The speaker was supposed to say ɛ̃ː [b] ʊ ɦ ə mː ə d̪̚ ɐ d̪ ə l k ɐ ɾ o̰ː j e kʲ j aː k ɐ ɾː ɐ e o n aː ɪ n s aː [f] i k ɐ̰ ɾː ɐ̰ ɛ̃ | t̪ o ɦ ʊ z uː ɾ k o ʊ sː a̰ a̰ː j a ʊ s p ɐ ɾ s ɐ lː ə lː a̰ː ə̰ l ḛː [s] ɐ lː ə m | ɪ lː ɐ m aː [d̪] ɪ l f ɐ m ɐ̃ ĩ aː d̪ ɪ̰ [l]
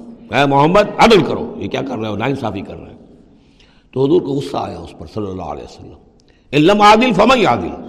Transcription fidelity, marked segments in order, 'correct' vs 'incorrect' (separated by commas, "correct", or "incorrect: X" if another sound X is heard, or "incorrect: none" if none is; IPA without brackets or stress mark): incorrect: m, correct, correct, correct, correct